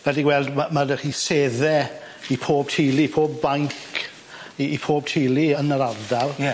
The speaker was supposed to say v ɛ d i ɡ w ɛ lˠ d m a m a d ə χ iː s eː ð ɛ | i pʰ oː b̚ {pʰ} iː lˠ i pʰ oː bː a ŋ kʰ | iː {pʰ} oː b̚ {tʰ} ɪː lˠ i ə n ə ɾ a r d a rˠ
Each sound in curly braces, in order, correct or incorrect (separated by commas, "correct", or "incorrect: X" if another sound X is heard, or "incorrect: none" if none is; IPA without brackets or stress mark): incorrect: tʰ, correct, correct